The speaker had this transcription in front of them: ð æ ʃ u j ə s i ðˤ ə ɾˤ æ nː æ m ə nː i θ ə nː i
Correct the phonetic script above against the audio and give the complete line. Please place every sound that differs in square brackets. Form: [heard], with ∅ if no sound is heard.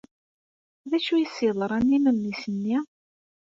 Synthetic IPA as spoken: ð æ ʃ u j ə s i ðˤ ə ɾˤ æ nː [i] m ə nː i [s] ə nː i